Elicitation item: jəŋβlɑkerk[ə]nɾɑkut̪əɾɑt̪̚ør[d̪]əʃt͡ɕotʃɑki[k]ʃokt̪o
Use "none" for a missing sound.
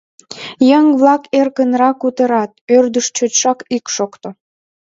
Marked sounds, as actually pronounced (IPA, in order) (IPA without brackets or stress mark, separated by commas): ə, d̪, k